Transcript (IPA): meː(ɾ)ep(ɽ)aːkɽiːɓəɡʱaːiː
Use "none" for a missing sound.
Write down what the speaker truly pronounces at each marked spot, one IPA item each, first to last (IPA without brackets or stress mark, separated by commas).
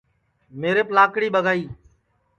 ɾ, l